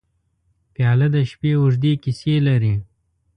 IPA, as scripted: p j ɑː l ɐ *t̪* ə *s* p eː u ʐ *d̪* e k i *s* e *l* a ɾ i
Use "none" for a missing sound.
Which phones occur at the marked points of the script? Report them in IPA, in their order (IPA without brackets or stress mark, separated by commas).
d̪, ʃ, d̪, s, l